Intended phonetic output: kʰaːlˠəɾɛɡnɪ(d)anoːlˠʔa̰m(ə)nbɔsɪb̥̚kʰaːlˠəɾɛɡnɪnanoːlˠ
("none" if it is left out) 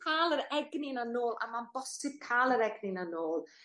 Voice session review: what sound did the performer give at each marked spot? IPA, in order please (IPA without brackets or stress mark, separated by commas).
n, a